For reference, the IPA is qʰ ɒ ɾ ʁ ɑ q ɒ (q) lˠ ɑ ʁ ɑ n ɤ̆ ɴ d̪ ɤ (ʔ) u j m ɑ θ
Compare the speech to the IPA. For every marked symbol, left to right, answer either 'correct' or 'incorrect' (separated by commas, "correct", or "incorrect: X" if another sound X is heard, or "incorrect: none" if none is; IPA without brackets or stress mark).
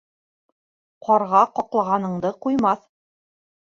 correct, incorrect: q